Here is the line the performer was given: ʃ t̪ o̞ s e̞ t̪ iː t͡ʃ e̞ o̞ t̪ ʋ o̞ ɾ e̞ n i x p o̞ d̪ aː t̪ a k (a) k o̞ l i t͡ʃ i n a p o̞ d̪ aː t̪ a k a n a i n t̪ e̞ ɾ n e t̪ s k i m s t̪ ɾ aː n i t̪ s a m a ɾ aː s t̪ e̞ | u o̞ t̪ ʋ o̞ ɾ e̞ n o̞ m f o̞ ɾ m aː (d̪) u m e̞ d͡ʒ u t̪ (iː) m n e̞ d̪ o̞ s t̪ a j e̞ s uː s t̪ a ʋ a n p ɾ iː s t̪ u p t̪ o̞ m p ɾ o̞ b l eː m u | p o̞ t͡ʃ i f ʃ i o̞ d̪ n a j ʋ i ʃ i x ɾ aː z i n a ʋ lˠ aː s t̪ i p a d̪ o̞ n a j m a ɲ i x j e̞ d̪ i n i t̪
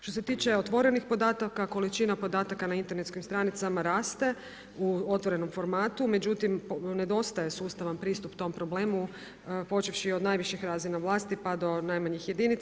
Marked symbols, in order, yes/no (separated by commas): yes, no, no